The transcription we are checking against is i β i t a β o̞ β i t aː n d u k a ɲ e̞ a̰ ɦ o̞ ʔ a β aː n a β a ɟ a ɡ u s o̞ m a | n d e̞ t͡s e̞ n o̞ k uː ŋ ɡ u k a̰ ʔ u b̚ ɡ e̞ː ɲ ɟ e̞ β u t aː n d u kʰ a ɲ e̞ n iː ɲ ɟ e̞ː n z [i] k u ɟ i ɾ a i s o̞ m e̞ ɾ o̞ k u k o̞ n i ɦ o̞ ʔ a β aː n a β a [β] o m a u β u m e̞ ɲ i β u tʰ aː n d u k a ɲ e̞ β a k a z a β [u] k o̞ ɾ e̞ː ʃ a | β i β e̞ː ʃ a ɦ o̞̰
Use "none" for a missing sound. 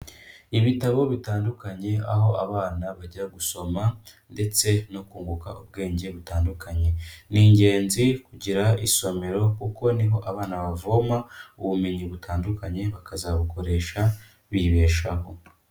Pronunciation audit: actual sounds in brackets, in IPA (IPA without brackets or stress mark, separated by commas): i, v, u